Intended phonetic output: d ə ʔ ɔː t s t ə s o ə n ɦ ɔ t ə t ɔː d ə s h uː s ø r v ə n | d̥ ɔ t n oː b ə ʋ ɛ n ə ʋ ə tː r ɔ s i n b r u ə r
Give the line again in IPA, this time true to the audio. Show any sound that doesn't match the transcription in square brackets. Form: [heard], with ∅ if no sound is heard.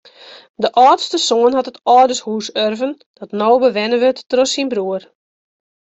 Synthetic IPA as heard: d ə ʔ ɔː t s t ə s o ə n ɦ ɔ t ə t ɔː d ə s h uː s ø r v ə n | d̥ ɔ t n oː b ə ʋ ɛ n ə ʋ ə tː r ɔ s i n b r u ə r